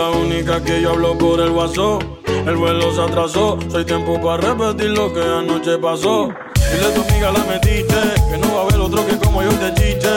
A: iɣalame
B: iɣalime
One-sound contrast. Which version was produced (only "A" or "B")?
A